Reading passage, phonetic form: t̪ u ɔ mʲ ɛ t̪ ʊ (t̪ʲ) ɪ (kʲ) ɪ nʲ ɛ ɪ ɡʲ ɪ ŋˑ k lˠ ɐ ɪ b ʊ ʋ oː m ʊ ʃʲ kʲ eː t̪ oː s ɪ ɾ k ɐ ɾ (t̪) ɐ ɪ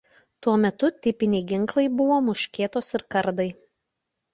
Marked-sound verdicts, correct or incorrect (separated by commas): correct, incorrect, incorrect